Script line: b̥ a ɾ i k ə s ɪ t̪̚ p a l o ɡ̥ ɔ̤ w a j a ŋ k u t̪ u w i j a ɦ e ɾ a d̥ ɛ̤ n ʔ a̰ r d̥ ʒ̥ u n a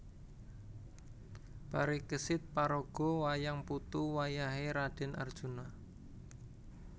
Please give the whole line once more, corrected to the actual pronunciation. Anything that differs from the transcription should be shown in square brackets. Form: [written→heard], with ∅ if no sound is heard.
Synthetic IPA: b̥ a ɾ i k ə s ɪ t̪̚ p a [l→ɾ] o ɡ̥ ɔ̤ w a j a ŋ [k→p] u t̪ u w [i→a] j a ɦ e ɾ a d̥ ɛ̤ n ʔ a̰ r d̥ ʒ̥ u n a